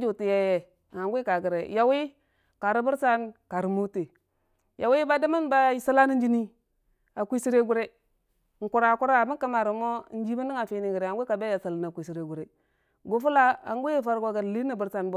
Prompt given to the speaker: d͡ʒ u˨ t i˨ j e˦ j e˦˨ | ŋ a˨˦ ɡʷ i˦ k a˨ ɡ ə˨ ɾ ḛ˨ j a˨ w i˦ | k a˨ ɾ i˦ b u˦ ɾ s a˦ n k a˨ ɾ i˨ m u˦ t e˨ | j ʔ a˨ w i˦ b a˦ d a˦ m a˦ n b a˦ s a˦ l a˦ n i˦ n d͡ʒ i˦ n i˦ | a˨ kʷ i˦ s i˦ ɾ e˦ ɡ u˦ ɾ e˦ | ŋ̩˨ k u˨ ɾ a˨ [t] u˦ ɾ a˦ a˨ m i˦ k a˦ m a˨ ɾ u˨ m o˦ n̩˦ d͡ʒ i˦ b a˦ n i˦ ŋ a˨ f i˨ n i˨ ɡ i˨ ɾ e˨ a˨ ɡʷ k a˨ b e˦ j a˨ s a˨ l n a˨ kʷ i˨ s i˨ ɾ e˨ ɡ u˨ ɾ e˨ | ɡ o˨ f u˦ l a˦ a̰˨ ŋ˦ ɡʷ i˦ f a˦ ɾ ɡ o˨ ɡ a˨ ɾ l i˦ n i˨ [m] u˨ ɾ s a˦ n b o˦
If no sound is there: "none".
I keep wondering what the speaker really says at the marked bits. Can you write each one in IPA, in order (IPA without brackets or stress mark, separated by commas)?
k, b